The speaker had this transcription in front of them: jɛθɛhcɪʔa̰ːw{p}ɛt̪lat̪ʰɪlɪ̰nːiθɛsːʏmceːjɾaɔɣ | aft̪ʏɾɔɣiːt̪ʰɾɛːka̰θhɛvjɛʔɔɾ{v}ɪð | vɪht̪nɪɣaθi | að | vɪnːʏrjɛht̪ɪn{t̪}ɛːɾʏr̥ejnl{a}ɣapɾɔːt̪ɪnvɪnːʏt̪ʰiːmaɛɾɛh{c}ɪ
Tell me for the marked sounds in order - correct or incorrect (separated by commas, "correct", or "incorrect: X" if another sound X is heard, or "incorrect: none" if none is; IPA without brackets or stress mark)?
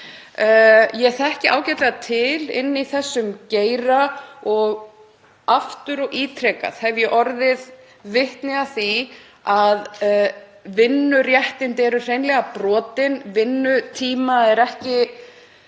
incorrect: c, incorrect: ð, correct, incorrect: ɛ, correct